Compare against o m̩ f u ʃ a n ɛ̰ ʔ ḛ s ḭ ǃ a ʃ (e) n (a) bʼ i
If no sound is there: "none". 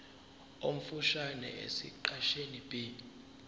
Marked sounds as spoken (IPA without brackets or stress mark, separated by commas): e, i